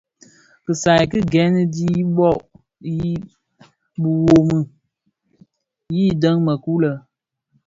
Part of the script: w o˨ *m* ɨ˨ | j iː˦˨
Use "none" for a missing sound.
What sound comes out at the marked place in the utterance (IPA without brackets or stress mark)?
m